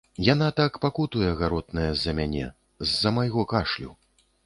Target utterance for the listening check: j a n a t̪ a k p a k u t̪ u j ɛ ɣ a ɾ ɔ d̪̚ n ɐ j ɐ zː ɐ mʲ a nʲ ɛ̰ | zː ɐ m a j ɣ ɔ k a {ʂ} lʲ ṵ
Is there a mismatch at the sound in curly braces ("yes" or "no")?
no